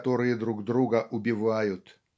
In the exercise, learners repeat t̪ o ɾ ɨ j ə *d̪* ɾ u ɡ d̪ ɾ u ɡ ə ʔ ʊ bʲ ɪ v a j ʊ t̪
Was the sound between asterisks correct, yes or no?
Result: yes